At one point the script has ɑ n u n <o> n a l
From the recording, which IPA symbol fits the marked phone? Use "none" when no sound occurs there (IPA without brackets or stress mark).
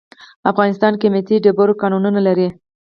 u